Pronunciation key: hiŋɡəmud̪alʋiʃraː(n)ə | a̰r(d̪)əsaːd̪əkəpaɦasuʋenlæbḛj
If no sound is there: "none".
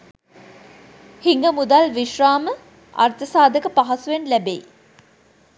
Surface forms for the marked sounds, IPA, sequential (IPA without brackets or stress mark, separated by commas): m, t̪